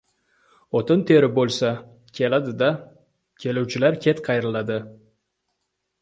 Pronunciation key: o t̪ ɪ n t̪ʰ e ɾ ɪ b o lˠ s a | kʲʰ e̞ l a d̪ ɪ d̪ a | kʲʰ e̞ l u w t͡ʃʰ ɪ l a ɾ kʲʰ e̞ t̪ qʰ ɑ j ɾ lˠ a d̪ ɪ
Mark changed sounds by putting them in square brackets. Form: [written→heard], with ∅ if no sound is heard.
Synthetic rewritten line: o t̪ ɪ n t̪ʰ e ɾ ɪ b o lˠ s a | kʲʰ e̞ l a d̪ ɪ d̪ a | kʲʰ e̞ l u w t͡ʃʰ ɪ l a ɾ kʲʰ e̞ t̪ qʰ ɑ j ɾ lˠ a d̪ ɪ